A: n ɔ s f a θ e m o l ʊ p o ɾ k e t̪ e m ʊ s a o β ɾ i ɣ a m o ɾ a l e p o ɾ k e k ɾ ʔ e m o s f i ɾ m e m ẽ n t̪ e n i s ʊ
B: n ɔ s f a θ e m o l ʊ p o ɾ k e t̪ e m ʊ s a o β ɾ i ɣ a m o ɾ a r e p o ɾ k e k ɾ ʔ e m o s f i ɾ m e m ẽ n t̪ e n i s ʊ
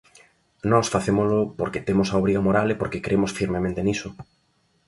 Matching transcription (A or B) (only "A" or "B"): A